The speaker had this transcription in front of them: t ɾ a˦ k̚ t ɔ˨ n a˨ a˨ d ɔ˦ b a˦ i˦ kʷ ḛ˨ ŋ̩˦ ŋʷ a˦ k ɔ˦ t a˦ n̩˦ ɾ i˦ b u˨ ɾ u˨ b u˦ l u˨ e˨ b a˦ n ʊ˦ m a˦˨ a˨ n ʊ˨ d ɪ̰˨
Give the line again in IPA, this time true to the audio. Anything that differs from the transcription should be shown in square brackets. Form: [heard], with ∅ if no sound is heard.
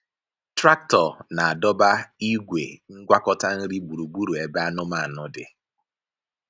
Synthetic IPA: t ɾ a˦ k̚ t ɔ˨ n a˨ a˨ d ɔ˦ b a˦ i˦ [ɡʷ] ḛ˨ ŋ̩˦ [ɡʷ] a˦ k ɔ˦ t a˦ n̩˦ ɾ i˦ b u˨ ɾ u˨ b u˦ [ɾ] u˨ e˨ b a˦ n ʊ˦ m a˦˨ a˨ n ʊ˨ d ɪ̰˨